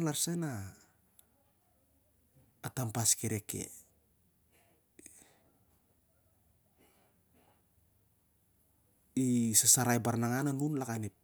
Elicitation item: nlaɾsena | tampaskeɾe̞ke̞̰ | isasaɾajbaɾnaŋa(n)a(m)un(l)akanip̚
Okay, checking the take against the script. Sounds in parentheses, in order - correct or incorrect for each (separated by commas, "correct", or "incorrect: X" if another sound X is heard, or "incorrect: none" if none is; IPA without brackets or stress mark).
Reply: correct, incorrect: n, correct